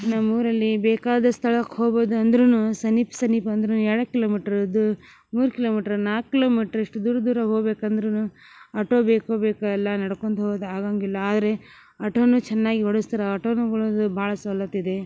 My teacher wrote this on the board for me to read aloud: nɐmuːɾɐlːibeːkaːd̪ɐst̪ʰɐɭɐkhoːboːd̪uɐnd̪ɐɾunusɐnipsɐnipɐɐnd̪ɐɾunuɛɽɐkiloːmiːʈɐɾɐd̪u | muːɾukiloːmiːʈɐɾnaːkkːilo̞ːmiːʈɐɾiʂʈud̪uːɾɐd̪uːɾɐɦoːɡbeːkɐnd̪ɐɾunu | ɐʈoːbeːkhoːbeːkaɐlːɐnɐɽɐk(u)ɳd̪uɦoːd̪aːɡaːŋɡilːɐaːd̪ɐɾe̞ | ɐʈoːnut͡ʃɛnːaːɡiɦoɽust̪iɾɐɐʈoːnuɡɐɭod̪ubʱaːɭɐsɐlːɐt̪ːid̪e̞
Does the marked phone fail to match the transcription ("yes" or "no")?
yes